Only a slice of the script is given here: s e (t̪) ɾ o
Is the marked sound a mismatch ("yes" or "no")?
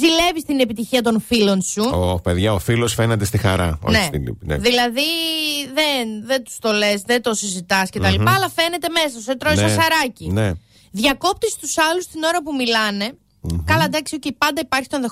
no